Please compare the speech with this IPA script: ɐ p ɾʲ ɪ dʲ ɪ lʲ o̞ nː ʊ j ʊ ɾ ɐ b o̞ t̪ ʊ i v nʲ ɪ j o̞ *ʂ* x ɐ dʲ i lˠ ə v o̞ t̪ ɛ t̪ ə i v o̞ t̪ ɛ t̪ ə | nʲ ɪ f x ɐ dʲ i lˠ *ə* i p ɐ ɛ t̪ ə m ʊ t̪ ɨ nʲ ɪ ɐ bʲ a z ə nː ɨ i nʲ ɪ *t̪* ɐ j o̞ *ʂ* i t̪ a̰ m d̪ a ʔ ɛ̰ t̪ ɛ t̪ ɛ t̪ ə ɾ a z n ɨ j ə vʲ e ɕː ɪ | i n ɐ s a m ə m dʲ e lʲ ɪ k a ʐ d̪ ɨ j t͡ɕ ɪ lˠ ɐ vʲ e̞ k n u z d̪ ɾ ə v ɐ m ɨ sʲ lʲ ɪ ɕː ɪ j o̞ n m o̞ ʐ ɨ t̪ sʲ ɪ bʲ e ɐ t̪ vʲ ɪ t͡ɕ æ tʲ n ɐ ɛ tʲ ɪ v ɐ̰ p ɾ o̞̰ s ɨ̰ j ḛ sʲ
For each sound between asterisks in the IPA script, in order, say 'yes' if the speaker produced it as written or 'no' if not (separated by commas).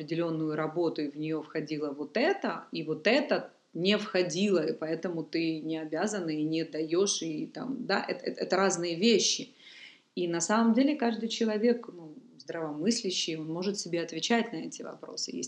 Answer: no, yes, no, yes